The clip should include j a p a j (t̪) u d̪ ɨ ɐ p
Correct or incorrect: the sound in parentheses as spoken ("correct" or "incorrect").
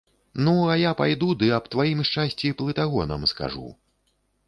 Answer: incorrect